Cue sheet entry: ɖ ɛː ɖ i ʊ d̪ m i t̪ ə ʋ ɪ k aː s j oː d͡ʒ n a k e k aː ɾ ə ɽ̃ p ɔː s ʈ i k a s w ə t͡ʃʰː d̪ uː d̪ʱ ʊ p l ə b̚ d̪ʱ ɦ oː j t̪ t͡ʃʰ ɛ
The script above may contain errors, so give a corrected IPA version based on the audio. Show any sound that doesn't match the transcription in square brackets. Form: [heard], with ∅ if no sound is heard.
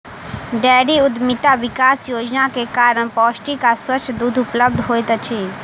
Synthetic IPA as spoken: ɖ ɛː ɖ i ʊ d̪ m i t̪ [a] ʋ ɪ k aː s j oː d͡ʒ n a k e k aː ɾ ə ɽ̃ p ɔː s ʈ i k a s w ə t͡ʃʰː d̪ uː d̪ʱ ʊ p l ə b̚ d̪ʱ ɦ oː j t̪ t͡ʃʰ [i]